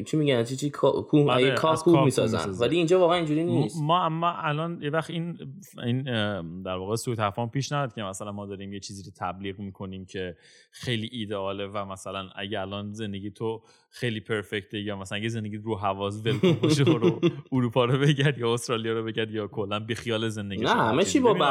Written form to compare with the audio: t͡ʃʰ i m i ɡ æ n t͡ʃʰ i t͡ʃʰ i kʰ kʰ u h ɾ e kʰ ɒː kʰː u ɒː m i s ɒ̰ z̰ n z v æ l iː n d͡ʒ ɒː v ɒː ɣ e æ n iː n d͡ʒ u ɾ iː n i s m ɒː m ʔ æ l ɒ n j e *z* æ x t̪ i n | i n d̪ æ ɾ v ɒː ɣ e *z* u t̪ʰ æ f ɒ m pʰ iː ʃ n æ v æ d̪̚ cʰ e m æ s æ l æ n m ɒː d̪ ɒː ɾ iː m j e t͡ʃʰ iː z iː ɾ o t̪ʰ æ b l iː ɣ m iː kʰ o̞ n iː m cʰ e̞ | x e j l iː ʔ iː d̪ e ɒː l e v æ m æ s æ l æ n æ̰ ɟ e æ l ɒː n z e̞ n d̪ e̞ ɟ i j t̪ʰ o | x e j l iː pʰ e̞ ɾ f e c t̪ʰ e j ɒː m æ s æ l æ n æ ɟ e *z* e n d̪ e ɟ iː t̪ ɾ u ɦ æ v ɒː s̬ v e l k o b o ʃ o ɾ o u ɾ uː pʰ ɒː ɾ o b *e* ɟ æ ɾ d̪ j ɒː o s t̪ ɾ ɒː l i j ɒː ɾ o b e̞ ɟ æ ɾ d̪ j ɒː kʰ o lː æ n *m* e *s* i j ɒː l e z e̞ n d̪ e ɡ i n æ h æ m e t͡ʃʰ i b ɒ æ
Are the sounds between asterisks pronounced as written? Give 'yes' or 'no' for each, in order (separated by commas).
no, no, yes, yes, no, no